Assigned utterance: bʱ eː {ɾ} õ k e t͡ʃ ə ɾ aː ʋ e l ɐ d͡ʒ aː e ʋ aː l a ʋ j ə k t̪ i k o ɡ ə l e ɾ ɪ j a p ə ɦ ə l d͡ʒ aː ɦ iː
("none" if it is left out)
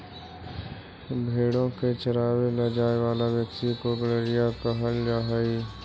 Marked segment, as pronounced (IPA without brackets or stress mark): ɽ